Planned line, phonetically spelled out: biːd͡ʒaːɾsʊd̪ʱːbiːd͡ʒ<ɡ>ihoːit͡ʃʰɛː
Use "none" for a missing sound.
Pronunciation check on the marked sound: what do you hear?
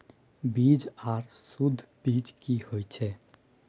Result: k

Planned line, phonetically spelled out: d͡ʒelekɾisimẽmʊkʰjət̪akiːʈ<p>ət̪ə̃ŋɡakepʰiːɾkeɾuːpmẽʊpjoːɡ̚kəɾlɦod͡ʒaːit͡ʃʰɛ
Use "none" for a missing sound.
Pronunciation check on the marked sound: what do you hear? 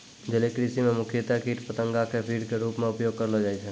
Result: p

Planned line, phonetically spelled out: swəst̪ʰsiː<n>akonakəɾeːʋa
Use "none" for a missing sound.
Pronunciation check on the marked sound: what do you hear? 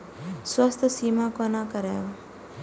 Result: m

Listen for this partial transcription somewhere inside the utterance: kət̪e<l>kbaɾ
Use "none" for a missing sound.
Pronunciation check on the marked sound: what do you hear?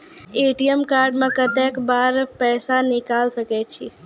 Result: none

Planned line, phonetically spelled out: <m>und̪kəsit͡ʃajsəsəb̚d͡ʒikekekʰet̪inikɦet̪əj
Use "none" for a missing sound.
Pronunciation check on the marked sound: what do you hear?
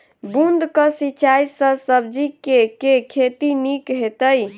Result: b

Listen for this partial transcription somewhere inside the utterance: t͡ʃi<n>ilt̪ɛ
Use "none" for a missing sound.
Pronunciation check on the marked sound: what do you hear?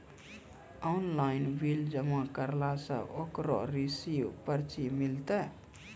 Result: m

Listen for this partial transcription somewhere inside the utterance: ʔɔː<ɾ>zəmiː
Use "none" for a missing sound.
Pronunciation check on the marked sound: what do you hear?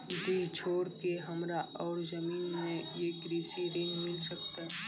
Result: ɾ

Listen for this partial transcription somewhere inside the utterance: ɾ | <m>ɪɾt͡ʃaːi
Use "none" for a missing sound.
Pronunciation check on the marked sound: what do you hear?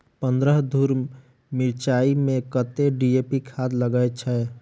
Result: m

